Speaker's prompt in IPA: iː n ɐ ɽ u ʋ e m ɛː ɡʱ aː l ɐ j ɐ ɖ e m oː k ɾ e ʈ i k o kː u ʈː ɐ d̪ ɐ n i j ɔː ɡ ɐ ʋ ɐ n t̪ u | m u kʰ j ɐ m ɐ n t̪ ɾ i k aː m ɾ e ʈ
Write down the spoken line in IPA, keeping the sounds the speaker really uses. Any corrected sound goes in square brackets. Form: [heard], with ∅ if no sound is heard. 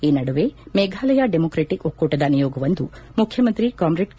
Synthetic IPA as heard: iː n ɐ ɽ u ʋ e m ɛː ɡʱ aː l ɐ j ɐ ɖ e m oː k ɾ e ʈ i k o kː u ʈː ɐ d̪ ɐ n i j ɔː ɡ ɐ ʋ ɐ n [d̪] u | m u kʰ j ɐ m ɐ n t̪ ɾ i k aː m ɾ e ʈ